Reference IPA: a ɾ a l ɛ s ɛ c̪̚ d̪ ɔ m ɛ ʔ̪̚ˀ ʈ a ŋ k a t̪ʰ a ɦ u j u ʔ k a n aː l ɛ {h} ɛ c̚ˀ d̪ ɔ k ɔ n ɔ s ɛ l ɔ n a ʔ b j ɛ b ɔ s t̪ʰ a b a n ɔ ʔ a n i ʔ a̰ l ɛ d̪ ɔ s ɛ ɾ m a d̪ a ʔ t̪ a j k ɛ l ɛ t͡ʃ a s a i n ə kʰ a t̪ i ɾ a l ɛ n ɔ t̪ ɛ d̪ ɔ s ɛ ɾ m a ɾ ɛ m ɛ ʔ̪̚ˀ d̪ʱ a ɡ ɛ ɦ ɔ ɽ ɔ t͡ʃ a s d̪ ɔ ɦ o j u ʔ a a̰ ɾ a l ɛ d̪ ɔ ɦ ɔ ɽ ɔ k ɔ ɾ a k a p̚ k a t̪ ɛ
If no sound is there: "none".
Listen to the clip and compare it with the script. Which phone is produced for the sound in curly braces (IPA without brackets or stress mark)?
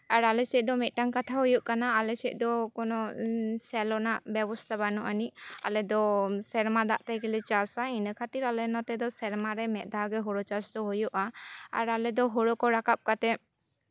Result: s